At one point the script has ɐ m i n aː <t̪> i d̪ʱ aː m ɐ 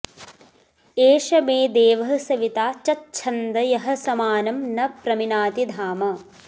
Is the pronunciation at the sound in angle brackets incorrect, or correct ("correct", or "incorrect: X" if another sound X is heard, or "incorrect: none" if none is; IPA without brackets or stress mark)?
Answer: correct